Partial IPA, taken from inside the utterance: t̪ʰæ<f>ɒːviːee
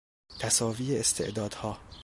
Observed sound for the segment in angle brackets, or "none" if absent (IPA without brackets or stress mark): s